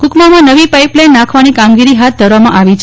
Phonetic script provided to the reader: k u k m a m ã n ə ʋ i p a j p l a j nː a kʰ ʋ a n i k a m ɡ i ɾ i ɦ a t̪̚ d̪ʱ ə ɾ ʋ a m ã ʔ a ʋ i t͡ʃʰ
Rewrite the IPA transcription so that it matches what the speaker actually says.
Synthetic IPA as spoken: k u k m a m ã n ə ʋ i p a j p l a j nː a kʰ ʋ a n i k a m ɡ i ɾ i ɦ a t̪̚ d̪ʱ ə ɾ ʋ a m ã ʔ a ʋ i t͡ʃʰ